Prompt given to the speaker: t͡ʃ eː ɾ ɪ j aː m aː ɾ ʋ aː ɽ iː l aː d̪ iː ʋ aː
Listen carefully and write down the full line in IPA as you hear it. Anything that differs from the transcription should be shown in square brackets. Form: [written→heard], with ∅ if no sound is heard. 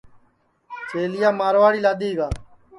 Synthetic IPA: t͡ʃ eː [ɾ→l] ɪ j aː m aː ɾ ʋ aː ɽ iː l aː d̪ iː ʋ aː